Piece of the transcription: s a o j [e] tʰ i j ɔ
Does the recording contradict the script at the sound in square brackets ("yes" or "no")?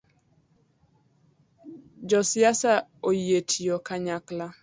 no